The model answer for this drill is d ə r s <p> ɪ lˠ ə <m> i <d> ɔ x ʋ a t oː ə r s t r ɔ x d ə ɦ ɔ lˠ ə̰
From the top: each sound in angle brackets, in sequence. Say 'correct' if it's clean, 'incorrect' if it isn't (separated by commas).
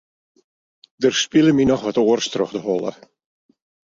correct, correct, incorrect